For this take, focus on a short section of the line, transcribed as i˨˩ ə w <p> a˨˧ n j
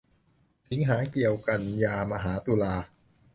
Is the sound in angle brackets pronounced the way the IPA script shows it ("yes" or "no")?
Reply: no